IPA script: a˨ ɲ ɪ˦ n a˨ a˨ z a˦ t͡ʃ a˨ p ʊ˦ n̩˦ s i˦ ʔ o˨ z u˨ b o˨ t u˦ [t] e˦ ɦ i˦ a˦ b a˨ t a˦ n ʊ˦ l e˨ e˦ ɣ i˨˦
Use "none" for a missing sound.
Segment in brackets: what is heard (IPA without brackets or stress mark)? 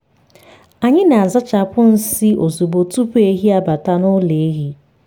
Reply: p